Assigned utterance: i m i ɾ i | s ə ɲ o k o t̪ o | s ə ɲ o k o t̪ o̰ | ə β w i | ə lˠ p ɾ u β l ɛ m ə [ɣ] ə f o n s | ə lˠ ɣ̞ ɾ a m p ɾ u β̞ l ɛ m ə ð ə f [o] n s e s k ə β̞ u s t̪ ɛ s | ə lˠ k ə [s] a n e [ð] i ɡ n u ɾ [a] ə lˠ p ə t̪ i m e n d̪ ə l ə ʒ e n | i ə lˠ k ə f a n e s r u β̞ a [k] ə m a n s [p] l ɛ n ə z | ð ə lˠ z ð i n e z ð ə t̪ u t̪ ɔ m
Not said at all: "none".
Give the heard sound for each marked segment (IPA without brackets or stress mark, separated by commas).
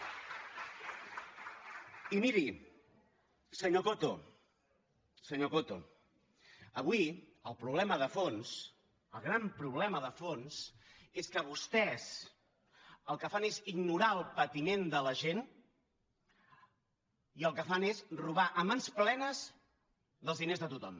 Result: ð, o, f, z, a, ʔ, p